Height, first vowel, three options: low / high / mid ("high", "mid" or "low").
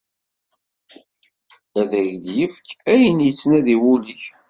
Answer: low